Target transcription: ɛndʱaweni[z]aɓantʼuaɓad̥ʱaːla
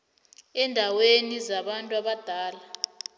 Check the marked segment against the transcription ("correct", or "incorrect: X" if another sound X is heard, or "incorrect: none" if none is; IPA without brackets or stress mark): correct